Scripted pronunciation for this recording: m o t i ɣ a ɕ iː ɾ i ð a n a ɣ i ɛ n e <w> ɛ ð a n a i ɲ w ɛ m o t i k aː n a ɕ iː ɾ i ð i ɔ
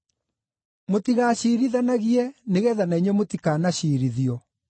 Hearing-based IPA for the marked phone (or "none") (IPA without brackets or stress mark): ɣ